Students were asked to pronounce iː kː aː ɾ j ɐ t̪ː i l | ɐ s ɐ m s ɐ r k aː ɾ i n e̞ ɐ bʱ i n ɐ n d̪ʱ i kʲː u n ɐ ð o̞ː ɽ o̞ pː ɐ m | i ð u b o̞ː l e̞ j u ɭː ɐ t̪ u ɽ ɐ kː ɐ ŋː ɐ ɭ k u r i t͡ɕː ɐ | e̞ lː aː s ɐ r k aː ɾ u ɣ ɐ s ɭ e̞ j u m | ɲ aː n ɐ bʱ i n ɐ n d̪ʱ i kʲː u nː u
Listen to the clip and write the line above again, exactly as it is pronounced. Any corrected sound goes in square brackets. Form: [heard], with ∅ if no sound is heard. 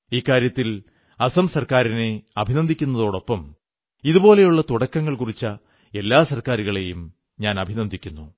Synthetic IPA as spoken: iː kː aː ɾ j ɐ t̪ː i l | ɐ s ɐ m s ɐ r k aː ɾ i n e̞ ɐ bʱ i n ɐ n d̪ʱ i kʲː u [nː] ɐ ð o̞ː ɽ o̞ pː ɐ m | i ð u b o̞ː l e̞ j u ɭː ɐ t̪ u ɽ ɐ kː ɐ ŋː ɐ ɭ k u r i t͡ɕː ɐ | e̞ lː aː s ɐ r k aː ɾ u ɣ ɐ [∅] ɭ e̞ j u m | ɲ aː n ɐ bʱ i n ɐ n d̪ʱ i kʲː u nː u